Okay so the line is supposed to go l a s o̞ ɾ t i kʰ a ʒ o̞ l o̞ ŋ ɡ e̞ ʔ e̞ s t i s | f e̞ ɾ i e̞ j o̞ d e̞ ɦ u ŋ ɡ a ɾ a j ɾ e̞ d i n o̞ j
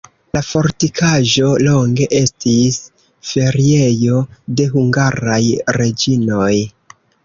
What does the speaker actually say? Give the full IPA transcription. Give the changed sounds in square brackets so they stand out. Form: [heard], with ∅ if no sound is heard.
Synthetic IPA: l a [f] o̞ ɾ t i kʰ a ʒ o̞ l o̞ ŋ ɡ e̞ ʔ e̞ s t i s | f e̞ ɾ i e̞ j o̞ d e̞ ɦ u ŋ ɡ a ɾ a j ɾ e̞ [d͡ʒ] i n o̞ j